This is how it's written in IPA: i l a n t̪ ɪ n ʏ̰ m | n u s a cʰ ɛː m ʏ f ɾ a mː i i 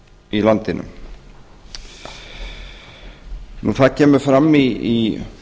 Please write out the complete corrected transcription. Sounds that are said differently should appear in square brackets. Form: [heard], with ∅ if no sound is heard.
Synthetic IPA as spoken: i l a n t̪ ɪ n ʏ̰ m | n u [θ] a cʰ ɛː m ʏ f ɾ a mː i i